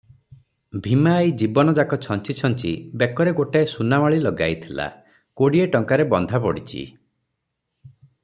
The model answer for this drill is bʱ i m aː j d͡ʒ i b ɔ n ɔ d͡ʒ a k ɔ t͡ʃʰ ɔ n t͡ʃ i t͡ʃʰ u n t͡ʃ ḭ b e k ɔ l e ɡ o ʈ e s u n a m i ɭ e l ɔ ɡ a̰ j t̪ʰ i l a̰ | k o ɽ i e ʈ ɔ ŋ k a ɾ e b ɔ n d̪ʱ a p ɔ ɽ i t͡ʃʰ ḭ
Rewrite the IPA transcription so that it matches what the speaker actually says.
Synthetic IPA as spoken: bʱ i m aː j d͡ʒ i b ɔ n ɔ d͡ʒ a k ɔ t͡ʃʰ ɔ n t͡ʃ i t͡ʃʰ ɔ n t͡ʃ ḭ b e k ɔ ɾ e ɡ o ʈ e s u n a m a ɭ i l ɔ ɡ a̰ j t̪ʰ i l a̰ | k o ɽ i e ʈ ɔ ŋ k a ɾ e b ɔ n d̪ʱ a p ɔ ɽ i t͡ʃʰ ḭ